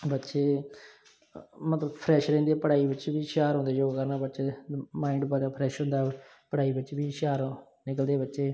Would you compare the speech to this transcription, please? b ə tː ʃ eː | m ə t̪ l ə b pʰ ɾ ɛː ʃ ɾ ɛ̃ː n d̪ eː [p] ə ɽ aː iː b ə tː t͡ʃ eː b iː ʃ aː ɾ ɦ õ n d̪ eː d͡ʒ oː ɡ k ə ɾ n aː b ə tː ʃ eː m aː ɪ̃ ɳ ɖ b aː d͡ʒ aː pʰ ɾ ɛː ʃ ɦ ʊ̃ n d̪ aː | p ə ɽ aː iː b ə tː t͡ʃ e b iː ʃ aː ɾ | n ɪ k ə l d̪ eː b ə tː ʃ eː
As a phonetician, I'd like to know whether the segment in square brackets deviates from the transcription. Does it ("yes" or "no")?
no